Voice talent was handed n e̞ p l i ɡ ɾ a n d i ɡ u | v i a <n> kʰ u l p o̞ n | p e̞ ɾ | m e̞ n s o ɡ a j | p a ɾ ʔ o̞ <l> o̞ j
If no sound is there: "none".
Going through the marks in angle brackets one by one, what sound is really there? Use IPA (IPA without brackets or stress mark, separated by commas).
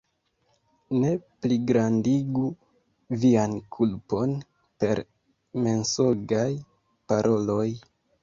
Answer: n, l